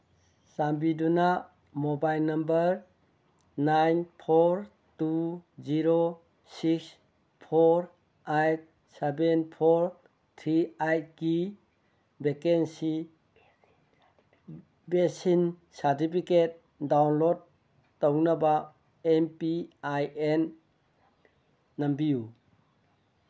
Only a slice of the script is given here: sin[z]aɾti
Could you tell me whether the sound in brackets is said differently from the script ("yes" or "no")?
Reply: yes